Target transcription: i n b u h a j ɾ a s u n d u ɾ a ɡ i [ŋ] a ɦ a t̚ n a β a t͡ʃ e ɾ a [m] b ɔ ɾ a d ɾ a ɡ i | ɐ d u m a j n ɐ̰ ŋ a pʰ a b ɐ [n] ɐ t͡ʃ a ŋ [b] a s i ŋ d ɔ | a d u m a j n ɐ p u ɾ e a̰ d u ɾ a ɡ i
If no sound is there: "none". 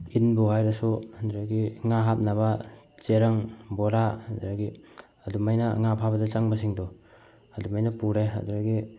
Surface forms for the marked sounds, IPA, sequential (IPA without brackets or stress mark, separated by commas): ŋ, ŋ, d, b